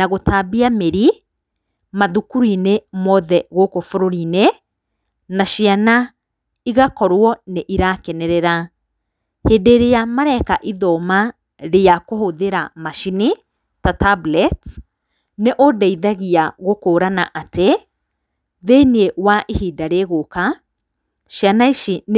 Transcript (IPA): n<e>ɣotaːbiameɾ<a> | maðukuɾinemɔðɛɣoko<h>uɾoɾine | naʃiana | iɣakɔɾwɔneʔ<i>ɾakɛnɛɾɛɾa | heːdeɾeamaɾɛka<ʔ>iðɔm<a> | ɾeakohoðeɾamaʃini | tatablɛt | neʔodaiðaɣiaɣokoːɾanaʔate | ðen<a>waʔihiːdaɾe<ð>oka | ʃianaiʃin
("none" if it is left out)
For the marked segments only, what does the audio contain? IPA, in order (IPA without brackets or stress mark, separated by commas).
a, i, f, i, ʔ, a, e, ɣ